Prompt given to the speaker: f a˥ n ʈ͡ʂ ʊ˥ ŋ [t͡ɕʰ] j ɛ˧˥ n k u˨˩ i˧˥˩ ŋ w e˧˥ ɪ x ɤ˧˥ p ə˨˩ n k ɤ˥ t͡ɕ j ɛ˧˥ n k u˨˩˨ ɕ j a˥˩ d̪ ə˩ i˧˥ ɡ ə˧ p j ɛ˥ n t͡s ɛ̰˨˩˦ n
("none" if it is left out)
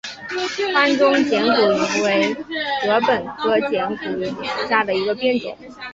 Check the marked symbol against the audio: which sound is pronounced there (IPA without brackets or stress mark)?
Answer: t͡ɕ